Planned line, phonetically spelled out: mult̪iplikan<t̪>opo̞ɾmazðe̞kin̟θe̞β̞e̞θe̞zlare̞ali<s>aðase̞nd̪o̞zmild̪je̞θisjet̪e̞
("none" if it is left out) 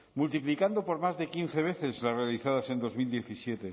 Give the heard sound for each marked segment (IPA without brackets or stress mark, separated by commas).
d̪, θ